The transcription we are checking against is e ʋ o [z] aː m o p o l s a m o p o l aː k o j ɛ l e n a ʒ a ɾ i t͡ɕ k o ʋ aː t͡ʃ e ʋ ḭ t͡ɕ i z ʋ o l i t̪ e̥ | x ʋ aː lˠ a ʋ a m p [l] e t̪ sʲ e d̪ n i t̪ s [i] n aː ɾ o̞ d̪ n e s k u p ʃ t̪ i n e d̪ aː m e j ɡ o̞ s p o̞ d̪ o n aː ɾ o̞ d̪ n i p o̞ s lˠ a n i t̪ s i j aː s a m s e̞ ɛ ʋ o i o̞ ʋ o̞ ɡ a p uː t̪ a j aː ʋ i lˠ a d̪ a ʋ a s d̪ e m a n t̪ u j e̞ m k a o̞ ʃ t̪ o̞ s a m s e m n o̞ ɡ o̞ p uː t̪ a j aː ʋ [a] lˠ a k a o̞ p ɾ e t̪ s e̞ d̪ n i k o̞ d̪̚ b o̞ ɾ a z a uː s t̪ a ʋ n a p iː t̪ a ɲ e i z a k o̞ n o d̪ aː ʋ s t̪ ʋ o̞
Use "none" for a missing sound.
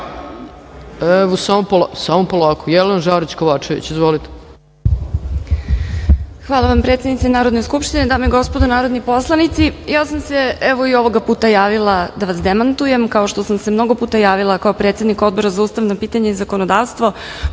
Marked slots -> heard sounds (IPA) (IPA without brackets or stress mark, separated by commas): s, ɾ, e, i